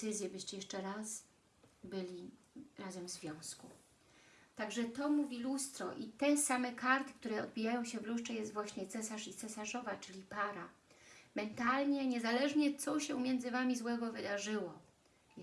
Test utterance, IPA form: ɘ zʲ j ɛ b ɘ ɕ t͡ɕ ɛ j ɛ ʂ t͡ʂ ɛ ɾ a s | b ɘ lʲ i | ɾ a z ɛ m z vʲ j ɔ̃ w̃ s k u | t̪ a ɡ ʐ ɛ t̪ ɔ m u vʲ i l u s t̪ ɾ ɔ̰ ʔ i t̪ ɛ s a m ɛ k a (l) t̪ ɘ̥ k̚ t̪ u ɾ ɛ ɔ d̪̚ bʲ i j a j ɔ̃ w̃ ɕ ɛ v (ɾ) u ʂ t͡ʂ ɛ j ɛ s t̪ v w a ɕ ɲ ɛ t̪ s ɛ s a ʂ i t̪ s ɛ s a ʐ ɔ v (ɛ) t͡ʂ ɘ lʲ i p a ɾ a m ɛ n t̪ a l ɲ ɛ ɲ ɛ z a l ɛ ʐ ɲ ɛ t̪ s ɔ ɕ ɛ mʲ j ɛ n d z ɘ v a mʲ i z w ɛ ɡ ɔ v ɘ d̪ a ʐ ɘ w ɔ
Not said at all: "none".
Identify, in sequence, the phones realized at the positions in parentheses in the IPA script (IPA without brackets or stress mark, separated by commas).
ɾ, l, a